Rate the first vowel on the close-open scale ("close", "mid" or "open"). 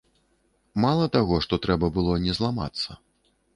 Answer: open